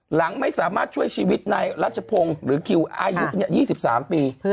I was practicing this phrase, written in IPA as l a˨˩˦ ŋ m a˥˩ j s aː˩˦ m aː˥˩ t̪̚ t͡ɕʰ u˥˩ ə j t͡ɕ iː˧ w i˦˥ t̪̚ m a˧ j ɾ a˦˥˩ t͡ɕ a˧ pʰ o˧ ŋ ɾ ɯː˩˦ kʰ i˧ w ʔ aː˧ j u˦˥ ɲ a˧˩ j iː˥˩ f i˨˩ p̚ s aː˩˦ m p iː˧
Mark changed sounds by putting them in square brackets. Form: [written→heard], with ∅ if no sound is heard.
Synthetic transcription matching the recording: l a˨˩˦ ŋ m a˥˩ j s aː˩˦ m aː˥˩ t̪̚ t͡ɕʰ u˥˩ ə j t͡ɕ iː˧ w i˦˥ t̪̚ [m→n] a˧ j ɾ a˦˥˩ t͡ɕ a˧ pʰ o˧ ŋ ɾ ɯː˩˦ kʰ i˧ w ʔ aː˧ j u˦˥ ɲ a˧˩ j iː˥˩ [f→s] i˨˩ p̚ s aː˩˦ m p iː˧